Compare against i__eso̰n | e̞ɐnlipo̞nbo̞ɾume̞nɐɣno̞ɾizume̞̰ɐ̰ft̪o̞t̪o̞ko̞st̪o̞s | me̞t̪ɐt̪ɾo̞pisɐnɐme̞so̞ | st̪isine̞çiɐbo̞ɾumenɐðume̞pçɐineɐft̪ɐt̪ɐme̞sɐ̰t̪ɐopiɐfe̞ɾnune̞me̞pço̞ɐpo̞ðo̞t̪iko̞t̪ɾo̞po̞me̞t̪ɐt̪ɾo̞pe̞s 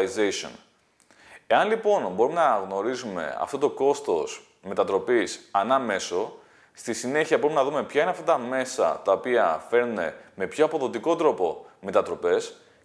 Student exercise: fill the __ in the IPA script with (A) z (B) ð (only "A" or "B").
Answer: A